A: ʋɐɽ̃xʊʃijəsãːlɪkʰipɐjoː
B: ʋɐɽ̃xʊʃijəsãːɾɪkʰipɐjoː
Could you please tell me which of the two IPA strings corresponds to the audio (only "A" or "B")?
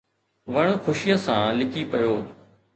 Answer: A